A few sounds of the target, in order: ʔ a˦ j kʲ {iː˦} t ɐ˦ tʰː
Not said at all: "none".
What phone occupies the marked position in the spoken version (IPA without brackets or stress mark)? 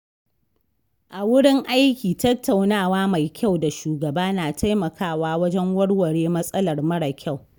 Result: iː˨